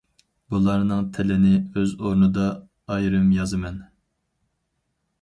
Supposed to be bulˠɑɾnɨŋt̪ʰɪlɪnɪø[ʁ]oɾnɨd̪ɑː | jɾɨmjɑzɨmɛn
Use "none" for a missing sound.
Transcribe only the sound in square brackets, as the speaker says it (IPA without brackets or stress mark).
z